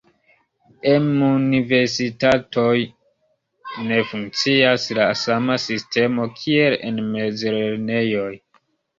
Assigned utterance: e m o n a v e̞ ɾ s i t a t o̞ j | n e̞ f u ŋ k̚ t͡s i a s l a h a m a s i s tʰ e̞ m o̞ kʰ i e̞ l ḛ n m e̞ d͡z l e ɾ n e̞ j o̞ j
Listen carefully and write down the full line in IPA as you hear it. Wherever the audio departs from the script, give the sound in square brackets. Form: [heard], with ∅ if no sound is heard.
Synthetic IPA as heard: e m [u] n [i] v e̞ ɾ s i t a t o̞ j | n e̞ f u ŋ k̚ t͡s i a s l a [s] a m a s i s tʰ e̞ m o̞ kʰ i e̞ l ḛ n m e̞ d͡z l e ɾ n e̞ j o̞ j